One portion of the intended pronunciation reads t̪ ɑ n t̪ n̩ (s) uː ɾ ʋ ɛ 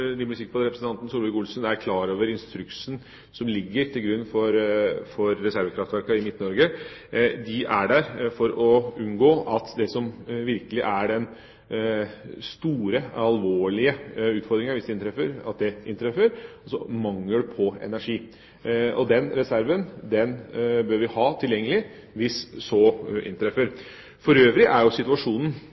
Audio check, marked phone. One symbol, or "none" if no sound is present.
s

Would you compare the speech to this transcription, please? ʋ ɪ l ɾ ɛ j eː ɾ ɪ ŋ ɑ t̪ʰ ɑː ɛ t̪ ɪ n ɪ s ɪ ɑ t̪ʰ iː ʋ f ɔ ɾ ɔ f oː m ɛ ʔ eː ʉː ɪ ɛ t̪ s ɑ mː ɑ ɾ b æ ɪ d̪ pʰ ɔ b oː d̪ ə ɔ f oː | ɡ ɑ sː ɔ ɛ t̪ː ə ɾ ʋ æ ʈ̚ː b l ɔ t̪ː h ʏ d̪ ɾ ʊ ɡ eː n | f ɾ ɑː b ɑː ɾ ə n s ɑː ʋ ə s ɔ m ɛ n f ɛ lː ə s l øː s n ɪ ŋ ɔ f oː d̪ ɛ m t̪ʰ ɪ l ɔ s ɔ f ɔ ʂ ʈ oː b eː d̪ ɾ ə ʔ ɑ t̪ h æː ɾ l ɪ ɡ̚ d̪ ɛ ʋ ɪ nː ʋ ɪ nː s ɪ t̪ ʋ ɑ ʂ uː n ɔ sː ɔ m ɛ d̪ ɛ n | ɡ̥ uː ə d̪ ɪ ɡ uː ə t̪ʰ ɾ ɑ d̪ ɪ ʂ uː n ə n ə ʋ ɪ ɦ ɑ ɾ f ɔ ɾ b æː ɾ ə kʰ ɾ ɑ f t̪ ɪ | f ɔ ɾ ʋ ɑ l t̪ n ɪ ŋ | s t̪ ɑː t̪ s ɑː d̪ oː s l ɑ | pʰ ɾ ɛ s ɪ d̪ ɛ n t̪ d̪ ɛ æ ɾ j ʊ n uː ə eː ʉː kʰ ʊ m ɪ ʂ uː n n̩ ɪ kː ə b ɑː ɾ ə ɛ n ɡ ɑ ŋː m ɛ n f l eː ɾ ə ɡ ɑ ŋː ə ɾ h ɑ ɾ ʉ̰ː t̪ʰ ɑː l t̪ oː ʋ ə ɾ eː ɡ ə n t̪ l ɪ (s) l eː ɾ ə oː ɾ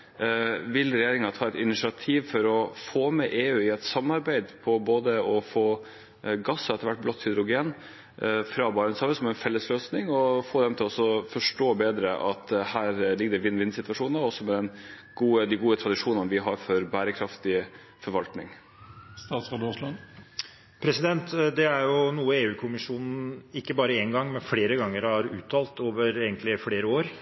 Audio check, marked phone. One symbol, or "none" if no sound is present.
f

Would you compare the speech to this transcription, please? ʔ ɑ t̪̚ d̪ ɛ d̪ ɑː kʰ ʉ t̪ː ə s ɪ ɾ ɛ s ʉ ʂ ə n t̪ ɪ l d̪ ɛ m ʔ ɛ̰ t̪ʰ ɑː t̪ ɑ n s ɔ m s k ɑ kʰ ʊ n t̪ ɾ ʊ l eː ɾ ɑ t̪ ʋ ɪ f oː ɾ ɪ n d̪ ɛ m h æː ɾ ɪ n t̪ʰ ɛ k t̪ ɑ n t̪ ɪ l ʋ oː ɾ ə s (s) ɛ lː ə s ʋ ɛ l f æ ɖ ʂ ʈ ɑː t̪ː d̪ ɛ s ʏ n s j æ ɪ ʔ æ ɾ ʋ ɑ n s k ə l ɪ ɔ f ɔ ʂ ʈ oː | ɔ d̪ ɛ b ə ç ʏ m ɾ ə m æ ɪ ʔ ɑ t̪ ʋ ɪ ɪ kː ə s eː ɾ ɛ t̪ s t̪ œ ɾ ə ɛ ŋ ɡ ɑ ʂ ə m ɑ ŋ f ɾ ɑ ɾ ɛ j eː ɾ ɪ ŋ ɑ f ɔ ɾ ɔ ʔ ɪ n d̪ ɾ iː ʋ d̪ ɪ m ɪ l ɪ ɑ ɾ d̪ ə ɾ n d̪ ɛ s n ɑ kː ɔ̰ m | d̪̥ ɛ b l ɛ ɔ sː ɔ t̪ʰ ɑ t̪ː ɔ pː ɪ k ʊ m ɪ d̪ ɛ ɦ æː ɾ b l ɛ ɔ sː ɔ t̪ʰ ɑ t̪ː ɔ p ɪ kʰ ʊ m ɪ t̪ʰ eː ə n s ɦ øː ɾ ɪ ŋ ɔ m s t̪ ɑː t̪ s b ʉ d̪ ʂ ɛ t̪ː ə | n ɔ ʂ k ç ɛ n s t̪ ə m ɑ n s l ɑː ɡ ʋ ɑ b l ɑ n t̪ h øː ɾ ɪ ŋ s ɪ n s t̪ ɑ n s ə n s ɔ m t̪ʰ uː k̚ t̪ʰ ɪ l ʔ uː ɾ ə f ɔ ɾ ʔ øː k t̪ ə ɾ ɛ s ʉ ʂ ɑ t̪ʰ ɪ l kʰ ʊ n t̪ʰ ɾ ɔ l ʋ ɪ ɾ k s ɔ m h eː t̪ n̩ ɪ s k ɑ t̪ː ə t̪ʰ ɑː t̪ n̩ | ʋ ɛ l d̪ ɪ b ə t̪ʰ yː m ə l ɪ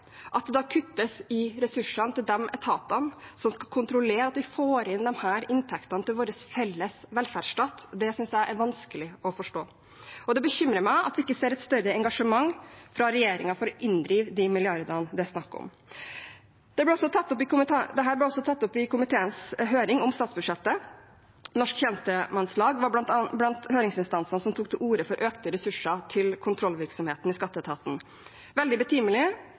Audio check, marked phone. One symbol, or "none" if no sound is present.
f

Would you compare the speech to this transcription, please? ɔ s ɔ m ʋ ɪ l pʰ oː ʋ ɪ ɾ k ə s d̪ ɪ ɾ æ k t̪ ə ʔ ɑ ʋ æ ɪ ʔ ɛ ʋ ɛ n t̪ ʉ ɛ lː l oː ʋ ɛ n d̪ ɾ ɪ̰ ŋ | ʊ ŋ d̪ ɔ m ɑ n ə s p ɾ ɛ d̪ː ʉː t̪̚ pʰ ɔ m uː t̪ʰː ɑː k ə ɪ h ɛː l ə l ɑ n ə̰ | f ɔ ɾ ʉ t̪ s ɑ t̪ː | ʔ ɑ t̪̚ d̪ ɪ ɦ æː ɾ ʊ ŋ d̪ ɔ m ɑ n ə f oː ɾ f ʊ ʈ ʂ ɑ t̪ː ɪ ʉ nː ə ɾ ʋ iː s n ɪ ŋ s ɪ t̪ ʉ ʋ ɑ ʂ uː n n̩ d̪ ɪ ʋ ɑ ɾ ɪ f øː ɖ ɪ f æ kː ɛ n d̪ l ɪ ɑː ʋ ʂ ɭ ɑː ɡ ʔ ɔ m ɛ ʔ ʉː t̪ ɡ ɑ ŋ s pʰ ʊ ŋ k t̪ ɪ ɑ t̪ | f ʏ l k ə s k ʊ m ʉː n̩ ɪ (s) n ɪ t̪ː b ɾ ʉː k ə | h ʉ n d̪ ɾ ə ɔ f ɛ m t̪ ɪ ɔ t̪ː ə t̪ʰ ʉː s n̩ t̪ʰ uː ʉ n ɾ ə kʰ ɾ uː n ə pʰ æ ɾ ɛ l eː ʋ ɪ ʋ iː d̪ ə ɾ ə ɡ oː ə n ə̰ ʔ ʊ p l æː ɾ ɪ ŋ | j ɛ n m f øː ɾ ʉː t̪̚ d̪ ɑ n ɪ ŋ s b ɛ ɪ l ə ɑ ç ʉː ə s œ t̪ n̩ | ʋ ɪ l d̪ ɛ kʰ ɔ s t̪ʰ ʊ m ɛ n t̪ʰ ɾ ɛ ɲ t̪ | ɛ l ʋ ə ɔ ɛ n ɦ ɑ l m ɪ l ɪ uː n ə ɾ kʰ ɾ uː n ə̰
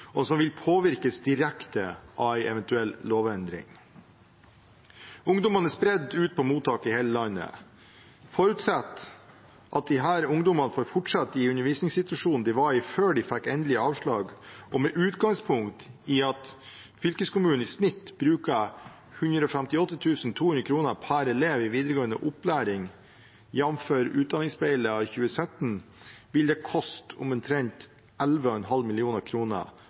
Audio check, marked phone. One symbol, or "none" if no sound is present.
s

